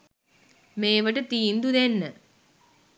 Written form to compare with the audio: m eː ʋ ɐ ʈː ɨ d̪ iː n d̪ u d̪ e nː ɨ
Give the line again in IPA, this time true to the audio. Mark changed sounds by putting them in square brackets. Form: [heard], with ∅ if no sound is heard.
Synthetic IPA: m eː ʋ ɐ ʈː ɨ [t̪] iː n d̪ u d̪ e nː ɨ